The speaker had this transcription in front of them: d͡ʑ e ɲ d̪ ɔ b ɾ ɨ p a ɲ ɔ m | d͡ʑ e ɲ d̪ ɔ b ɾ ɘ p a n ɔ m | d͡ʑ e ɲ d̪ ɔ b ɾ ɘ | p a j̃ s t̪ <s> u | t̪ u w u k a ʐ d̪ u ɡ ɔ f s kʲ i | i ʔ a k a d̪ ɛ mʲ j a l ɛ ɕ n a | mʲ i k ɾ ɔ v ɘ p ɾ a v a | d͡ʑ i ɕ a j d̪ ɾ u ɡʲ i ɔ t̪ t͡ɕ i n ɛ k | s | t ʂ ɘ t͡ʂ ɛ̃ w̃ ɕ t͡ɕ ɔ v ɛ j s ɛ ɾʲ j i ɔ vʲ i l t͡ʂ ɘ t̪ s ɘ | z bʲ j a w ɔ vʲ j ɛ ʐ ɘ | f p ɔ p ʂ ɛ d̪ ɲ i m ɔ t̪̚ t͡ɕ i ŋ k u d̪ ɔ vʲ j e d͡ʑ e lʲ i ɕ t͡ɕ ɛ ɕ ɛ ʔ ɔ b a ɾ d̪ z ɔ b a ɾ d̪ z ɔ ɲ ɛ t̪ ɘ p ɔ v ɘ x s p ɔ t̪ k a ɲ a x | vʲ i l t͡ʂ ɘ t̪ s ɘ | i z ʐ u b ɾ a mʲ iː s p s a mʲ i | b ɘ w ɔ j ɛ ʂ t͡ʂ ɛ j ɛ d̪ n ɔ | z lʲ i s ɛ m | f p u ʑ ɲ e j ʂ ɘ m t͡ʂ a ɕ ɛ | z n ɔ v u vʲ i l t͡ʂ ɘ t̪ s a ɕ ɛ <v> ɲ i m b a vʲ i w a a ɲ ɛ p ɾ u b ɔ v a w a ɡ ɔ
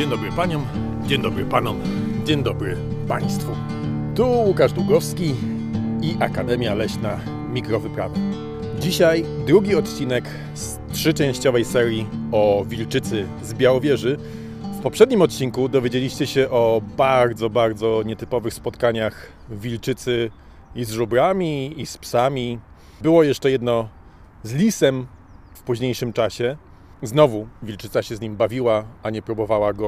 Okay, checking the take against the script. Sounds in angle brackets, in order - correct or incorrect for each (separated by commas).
incorrect, incorrect